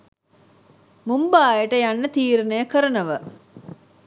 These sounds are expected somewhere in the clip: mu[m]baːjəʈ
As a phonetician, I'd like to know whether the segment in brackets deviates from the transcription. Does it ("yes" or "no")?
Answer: no